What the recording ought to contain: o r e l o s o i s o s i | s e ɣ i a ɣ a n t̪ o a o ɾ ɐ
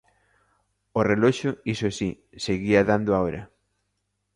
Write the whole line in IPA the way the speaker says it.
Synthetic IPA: o r e l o ʃ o i s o s i | s e ɣ i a ð a n d̪ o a o ɾ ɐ

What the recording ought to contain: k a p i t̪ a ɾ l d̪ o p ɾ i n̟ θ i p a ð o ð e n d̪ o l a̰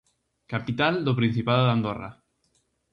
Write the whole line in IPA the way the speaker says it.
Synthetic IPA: k a p i t̪ a l d̪ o p ɾ i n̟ θ i p a ð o ð a n d̪ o r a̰

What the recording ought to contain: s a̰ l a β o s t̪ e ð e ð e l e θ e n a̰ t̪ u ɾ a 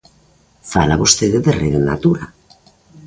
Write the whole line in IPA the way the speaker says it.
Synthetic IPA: f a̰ l a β o s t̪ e ð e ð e r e ð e n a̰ t̪ u ɾ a

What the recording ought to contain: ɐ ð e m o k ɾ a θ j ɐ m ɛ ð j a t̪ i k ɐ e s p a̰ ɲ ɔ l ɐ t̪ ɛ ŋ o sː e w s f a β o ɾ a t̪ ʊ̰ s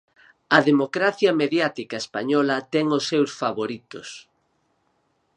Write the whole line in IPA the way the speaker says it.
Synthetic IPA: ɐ ð e m o k ɾ a θ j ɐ m e ð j a t̪ i k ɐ e s p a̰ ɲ ɔ l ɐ t̪ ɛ ŋ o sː e w s f a β o ɾ i t̪ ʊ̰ s

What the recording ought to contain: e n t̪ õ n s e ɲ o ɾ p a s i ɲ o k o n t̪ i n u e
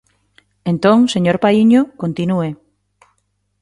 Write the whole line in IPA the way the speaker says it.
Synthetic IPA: e n t̪ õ ŋ s e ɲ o ɾ p a i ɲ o k o n t̪ i n u e

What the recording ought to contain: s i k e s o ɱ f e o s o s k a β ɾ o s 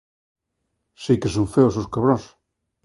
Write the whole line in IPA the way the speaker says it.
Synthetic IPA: s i k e s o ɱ f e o s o s k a β ɾ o s

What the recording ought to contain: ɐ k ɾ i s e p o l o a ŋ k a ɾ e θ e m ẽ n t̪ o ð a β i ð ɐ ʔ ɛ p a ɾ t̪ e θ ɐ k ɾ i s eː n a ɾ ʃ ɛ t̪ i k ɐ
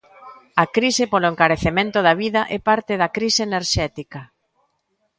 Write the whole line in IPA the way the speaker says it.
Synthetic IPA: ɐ k ɾ i s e p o l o e ŋ k a ɾ e θ e m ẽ n t̪ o ð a β i ð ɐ ʔ ɛ p a ɾ t̪ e ð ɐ k ɾ i s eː n e ɾ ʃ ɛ t̪ i k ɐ

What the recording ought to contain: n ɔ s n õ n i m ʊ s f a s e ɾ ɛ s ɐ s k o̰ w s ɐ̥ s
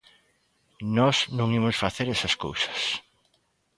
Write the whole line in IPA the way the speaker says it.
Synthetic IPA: n ɔ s n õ ŋ i m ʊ s f a θ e ɾ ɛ s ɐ s k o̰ w s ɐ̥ s

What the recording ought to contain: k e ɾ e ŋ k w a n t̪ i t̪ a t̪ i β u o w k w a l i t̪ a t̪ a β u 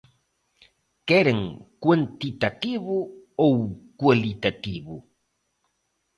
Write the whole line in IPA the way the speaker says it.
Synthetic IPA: k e ɾ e ŋ k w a n t̪ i t̪ a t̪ i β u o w k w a l i t̪ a t̪ i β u

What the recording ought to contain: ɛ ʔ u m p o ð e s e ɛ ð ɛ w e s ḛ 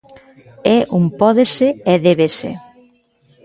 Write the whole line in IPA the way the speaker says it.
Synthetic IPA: ɛ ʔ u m p ɔ ð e s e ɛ ð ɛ β e s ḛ

